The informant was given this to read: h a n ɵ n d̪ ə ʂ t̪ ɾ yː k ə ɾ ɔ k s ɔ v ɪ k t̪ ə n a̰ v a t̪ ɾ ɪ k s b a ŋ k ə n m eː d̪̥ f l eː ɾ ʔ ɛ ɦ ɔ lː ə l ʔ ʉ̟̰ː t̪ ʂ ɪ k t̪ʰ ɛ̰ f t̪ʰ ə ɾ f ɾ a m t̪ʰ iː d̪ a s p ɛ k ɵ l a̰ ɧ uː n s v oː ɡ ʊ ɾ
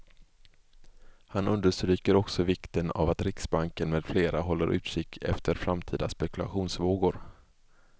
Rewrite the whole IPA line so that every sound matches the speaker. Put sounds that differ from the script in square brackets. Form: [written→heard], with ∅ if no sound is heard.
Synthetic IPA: h a n ɵ n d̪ ə ʂ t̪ ɾ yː k ə ɾ ɔ k s ɔ v ɪ k t̪ ə n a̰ v a t̪ ɾ ɪ k s b a ŋ k ə n m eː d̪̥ f l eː ɾ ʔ [ɛ→a] ɦ ɔ lː ə [l→ɾ] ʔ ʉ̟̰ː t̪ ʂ ɪ k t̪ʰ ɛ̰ f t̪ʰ ə ɾ f ɾ a m t̪ʰ iː d̪ a s p ɛ k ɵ l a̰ ɧ uː n s v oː ɡ ʊ ɾ